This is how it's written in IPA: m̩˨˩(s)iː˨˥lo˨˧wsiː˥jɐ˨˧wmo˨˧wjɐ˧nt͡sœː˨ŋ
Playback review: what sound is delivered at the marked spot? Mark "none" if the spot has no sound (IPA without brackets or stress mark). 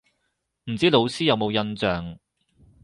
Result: t͡s